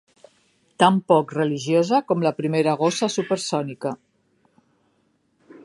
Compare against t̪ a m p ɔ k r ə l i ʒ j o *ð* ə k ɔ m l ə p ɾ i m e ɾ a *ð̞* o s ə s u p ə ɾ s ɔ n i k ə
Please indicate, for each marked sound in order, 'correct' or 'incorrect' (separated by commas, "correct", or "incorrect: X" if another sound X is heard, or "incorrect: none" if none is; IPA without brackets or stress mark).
incorrect: z, incorrect: ɣ̞